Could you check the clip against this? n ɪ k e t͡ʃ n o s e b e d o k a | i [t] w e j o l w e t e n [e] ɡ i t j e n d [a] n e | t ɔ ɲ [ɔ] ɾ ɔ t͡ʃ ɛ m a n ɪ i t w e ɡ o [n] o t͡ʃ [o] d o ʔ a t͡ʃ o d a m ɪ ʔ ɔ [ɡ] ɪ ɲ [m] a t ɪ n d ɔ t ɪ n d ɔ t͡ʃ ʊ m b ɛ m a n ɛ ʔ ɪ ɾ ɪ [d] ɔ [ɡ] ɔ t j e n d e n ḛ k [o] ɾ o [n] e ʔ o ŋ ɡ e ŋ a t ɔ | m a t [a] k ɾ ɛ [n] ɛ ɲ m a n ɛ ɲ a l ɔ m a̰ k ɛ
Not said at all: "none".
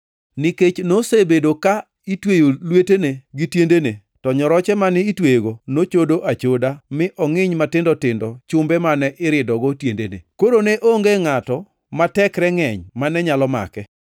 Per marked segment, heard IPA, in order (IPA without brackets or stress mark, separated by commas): t, e, e, ɔ, n, o, ŋ, m, d, ɡ, o, n, ɛ, ŋ